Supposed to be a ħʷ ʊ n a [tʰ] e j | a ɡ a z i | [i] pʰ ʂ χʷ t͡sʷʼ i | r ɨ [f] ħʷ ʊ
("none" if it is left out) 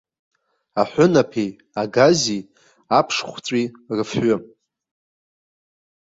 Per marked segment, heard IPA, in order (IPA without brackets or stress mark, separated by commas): pʰ, a, f